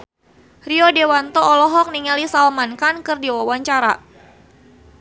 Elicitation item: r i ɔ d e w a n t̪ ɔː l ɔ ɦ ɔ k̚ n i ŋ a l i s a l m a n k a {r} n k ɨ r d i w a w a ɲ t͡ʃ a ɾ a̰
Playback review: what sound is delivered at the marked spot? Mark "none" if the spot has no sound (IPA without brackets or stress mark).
none